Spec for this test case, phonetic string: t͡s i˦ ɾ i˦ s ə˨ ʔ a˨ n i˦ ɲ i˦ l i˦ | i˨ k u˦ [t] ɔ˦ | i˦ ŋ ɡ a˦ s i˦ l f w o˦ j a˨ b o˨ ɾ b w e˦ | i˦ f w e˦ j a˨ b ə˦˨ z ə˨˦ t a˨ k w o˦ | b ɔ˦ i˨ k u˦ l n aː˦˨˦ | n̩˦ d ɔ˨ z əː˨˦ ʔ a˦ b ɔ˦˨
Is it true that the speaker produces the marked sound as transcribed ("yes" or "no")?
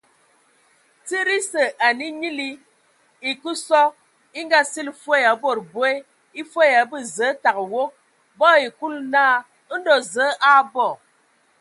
no